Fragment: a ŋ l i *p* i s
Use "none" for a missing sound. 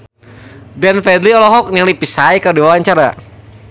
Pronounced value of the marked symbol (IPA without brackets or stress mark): p